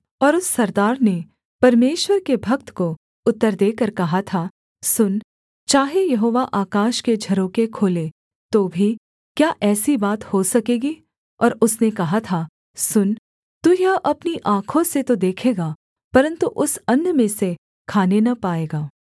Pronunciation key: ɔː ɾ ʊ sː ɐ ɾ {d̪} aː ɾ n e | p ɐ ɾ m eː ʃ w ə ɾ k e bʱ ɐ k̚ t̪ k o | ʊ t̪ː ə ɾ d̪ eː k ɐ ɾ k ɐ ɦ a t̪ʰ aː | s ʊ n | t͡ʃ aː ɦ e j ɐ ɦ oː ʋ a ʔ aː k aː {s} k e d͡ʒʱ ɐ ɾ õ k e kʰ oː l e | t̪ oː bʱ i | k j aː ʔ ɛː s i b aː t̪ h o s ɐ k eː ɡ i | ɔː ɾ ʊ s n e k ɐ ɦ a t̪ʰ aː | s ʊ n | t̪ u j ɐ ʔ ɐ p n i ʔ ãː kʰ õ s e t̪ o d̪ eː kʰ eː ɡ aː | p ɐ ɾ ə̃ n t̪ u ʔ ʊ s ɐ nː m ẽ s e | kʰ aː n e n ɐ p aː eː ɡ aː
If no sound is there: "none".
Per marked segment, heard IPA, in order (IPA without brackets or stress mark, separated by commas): d̪, ʃ